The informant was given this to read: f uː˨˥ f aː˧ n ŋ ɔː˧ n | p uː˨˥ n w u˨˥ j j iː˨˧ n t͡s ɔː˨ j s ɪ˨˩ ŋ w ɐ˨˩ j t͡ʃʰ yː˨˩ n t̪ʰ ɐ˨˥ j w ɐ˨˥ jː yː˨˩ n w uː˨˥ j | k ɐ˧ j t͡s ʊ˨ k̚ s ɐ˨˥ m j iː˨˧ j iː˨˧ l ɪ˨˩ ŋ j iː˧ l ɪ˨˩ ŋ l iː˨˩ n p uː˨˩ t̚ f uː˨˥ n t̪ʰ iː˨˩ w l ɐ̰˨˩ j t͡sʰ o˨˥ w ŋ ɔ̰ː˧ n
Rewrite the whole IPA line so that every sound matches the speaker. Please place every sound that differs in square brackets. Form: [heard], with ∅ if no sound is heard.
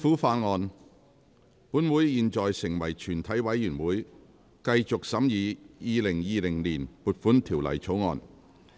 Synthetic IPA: f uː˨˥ f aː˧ n ŋ ɔː˧ n | p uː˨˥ n w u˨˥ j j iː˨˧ n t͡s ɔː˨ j s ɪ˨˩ ŋ w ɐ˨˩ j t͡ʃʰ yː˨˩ n t̪ʰ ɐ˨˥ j w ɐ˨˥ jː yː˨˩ n w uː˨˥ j | k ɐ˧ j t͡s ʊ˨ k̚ s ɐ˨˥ m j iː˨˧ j iː˨˧ l ɪ˨˩ ŋ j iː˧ l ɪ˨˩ ŋ l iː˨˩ n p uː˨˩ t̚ f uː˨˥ n t̪ʰ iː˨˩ w l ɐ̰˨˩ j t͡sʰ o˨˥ w ŋ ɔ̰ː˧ n